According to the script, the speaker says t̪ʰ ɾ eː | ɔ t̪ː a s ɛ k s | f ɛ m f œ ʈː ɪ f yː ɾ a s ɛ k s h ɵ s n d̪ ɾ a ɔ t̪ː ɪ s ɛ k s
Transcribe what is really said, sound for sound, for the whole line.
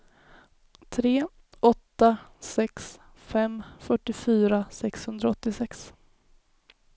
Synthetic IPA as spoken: t̪ʰ ɾ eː | ɔ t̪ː a s ɛ k s | f ɛ m f œ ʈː ɪ f yː ɾ a s ɛ k s h ɵ n d̪ ɾ a ɔ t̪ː ɪ s ɛ k s